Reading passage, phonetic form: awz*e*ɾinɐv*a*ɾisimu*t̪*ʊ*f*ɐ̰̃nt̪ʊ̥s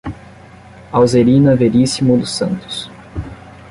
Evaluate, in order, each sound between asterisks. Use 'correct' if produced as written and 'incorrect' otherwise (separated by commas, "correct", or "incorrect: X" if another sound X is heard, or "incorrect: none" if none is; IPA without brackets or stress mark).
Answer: correct, incorrect: e, incorrect: d̪, incorrect: s